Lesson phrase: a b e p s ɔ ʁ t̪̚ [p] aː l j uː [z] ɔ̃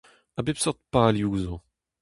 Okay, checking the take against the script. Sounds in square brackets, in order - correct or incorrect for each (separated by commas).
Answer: correct, correct